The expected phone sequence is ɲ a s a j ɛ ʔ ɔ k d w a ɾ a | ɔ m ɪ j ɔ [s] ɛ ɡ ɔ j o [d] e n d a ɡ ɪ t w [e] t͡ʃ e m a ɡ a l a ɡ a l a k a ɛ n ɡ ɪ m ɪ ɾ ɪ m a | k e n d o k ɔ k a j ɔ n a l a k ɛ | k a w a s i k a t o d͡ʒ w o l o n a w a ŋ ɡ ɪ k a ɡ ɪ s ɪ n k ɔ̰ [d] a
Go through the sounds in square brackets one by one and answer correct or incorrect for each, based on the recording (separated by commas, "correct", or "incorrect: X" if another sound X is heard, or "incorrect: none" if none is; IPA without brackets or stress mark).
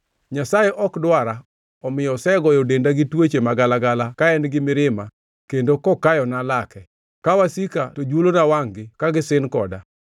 correct, correct, correct, correct